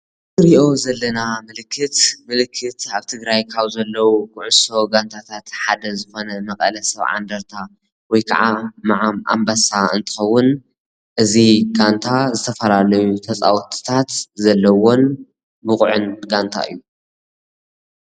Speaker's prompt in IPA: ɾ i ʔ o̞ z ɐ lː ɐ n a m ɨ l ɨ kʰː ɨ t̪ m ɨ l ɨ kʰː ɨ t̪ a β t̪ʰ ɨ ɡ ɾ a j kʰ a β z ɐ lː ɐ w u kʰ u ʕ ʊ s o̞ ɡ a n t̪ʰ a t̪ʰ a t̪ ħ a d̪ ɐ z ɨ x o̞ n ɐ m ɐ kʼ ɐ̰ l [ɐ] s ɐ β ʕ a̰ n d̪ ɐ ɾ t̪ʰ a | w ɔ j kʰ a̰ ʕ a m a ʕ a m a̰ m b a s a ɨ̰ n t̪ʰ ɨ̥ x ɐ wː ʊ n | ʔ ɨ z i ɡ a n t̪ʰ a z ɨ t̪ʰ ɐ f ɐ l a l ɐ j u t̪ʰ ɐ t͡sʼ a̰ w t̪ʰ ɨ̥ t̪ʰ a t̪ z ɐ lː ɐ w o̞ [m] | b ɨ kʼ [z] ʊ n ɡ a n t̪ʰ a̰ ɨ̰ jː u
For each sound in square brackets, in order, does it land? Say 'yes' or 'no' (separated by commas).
yes, no, no